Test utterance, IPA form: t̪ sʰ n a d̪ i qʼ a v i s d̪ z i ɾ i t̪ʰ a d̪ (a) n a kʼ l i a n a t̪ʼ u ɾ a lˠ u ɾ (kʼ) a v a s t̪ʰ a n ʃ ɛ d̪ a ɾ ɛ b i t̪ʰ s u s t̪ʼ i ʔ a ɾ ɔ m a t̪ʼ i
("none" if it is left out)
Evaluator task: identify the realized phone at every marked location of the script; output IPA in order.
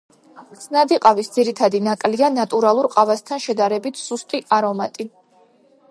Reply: i, qʼ

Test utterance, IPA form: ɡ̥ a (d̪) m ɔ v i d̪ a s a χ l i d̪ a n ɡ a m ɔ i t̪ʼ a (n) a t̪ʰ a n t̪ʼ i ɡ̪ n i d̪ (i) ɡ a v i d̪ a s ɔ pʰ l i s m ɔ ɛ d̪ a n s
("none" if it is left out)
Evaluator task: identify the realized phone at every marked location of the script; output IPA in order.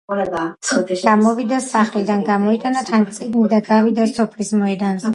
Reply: none, n, a

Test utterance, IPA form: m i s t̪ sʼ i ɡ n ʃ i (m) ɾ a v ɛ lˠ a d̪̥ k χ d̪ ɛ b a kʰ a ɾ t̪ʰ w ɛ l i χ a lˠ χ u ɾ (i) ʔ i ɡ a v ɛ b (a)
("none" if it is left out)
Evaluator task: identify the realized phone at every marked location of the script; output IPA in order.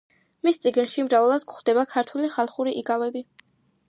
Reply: m, i, i

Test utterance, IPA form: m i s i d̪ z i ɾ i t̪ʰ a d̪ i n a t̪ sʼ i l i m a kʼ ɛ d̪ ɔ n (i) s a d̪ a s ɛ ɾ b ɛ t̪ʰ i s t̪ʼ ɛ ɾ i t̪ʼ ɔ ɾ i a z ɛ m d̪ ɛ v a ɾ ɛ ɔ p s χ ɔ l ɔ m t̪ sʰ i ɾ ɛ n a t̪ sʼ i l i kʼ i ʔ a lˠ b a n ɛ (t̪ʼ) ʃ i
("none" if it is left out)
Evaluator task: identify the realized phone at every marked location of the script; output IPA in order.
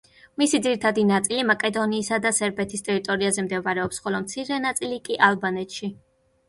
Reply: iː, t̪

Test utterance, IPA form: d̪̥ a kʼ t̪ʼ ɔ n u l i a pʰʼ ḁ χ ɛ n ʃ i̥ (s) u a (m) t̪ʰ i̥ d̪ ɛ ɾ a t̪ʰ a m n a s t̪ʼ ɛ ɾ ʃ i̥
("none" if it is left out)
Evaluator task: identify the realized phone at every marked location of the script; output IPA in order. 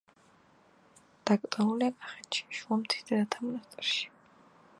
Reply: ʃ, m

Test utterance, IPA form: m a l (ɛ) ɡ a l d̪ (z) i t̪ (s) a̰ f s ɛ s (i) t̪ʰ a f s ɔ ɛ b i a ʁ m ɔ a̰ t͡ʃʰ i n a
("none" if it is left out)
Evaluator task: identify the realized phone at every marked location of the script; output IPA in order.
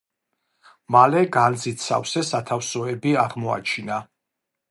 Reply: ɛ, z, s, a

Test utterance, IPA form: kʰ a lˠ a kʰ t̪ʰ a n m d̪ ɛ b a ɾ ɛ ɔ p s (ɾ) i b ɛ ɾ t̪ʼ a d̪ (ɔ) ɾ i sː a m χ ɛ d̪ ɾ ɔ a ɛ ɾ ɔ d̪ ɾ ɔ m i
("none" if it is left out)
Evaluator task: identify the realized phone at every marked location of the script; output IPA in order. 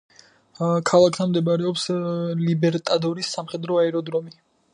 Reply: l, ɔ

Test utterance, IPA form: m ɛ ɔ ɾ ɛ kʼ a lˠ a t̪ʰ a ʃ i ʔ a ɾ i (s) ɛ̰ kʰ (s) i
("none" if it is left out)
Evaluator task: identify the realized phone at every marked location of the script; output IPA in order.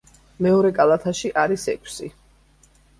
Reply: s, s

